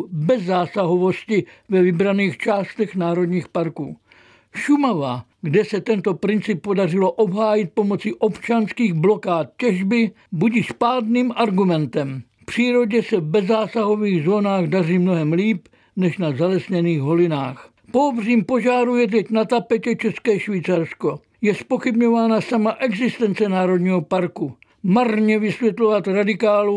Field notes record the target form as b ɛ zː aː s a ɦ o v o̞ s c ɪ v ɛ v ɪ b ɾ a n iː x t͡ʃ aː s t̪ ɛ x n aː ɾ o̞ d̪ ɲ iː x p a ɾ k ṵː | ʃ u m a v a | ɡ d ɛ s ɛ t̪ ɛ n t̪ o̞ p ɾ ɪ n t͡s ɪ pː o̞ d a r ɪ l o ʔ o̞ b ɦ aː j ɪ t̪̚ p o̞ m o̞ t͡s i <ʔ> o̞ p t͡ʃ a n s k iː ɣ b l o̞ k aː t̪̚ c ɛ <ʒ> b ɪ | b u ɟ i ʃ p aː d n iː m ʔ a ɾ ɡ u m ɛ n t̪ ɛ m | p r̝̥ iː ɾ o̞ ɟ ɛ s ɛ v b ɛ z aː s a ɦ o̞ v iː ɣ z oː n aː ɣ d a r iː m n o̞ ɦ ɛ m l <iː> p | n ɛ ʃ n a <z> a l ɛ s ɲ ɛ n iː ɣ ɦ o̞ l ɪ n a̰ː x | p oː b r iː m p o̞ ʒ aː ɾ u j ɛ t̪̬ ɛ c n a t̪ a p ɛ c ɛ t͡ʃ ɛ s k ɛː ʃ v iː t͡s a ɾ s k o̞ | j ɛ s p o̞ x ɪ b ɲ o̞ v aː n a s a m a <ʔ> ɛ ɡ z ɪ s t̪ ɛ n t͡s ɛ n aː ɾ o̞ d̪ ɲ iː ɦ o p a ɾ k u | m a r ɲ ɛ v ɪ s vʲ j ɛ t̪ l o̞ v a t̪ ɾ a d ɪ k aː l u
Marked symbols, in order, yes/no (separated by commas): yes, yes, yes, yes, yes